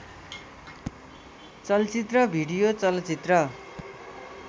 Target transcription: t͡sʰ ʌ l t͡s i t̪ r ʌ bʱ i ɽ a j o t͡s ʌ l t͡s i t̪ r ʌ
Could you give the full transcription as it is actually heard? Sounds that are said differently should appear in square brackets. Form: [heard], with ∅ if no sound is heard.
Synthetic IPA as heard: [t͡s] ʌ l t͡s i t̪ r ʌ bʱ i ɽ [i] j o t͡s ʌ l t͡s i t̪ r ʌ